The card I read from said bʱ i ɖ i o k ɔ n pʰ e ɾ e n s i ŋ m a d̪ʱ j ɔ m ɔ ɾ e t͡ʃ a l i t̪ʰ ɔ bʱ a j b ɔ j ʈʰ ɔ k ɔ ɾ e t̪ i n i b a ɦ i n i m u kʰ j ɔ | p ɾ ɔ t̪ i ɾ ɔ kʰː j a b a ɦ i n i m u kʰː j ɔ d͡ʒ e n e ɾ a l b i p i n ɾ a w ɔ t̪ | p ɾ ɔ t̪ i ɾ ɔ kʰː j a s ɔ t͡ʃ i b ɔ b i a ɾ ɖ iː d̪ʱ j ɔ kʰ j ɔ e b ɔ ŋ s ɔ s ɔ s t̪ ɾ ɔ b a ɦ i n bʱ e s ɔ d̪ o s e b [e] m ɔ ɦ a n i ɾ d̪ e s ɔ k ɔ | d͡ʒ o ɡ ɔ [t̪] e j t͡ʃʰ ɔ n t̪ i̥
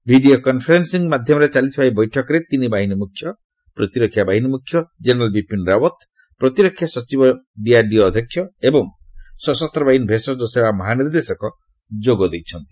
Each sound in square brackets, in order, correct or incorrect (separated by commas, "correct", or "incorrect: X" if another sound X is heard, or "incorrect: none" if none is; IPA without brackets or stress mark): incorrect: a, incorrect: d̪